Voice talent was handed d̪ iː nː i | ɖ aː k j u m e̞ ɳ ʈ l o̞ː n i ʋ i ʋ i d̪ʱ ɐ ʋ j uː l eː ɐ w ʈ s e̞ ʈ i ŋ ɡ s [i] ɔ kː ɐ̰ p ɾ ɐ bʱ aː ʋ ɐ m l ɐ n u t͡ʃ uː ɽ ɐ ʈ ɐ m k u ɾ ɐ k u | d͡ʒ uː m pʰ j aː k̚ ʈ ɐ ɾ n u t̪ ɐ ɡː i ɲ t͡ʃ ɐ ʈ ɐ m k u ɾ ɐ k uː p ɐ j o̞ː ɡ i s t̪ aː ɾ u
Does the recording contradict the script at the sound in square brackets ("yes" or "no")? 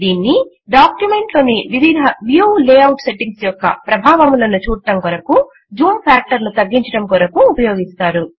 yes